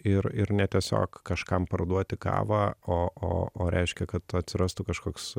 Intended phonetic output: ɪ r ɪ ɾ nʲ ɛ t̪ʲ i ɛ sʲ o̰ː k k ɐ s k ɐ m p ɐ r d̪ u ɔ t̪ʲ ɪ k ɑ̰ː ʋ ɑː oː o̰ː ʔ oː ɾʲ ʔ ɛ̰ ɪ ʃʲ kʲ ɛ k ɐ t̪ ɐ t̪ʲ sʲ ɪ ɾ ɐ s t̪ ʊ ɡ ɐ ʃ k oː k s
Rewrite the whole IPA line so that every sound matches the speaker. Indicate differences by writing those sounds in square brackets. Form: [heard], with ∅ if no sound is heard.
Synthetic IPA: ɪ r ɪ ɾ nʲ ɛ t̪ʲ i ɛ sʲ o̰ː k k ɐ [ʃ] k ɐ m p ɐ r d̪ u ɔ t̪ʲ ɪ k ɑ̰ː ʋ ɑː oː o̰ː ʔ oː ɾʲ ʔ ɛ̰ ɪ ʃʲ kʲ ɛ k ɐ t̪ ɐ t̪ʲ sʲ ɪ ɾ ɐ s t̪ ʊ [k] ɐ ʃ k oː k s